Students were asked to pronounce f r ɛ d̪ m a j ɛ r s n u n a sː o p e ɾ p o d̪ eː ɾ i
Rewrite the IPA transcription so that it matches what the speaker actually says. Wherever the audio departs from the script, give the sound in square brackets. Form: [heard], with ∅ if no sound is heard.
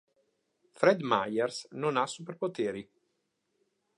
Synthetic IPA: f [ɾ] ɛ d̪ m a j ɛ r s n [o] n a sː [u] p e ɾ p o [t̪] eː ɾ i